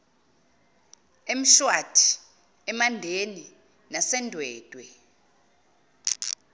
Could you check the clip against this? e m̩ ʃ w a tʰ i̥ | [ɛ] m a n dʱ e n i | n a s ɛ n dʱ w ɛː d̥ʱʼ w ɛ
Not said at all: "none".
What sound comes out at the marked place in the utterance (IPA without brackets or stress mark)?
ɛ